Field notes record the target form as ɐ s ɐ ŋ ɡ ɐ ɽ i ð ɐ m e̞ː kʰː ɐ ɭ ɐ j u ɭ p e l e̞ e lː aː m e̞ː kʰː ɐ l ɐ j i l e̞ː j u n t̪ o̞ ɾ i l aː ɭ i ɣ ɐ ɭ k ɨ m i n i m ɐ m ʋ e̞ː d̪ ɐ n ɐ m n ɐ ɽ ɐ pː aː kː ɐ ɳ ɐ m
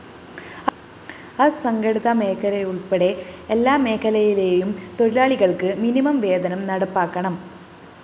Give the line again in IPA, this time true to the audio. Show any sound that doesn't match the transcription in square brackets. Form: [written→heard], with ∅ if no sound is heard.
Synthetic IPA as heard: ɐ s ɐ ŋ ɡ ɐ ɽ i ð ɐ m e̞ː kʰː ɐ [ɭ→l] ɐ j u ɭ p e [l→ɽ] e̞ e lː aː m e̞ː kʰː ɐ l ɐ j i l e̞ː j u [n→m] t̪ o̞ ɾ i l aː ɭ i ɣ ɐ ɭ k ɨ m i n i m ɐ m ʋ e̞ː d̪ ɐ n ɐ m n ɐ ɽ ɐ pː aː kː ɐ ɳ ɐ m